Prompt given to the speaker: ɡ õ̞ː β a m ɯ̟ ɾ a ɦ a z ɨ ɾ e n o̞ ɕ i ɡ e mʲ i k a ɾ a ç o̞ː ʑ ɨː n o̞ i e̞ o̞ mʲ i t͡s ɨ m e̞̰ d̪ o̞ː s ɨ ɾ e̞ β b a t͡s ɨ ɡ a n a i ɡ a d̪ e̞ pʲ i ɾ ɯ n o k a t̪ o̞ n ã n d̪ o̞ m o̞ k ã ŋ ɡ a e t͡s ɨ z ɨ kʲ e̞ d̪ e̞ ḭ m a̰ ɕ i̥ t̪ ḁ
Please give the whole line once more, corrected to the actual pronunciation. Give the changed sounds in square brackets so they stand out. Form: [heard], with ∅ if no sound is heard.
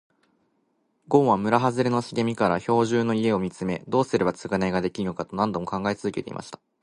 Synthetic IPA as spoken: ɡ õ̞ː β a m ɯ̟ ɾ a ɦ a z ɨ ɾ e n o̞ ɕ i ɡ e mʲ i k a ɾ a ç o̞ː ʑ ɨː n o̞ i e̞ o̞ mʲ i t͡s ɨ m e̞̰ d̪ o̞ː s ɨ ɾ e̞ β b a t͡s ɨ ɡ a n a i ɡ a d̪ e̞ [kʲ] i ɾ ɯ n o k a t̪ o̞ n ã n d̪ o̞ m o̞ k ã ŋ ɡ a e t͡s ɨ z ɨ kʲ e̞ [t̪] e̞ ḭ m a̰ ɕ i̥ t̪ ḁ

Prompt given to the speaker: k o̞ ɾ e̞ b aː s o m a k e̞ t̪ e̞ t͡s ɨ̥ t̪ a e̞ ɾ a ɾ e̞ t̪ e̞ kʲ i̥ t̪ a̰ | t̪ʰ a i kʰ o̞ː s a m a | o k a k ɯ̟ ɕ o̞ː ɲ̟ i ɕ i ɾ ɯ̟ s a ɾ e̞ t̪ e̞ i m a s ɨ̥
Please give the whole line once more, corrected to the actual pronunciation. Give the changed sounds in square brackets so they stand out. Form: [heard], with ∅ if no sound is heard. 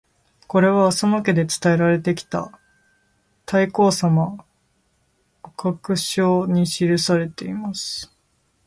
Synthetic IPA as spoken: k o̞ ɾ e̞ [β] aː s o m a k e̞ [d̪] e̞ t͡s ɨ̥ t̪ a e̞ ɾ a ɾ e̞ t̪ e̞ kʲ i̥ t̪ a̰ | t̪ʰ a i [k] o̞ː s a m a | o k a k ɯ̟ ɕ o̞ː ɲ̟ i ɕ i ɾ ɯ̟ s a ɾ e̞ t̪ e̞ i m a s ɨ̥

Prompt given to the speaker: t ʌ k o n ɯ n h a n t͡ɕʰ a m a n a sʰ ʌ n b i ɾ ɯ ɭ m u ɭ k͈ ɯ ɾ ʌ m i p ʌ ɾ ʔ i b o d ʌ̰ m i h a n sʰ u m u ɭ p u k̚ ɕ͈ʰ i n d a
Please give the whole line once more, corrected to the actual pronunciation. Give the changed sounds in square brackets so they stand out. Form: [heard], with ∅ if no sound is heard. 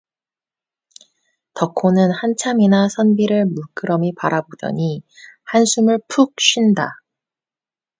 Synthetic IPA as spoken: t ʌ [kʰ] o n ɯ n h a n t͡ɕʰ a m [i] n a sʰ ʌ n b i ɾ ɯ ɭ m u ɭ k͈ ɯ ɾ ʌ m i p [a] ɾ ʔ [a] b o d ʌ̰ [ɲ] i h a n sʰ u m [ɯ] ɭ [pʰ] u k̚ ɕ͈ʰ i n d a

